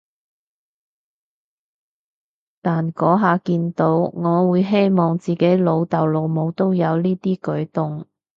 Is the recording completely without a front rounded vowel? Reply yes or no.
yes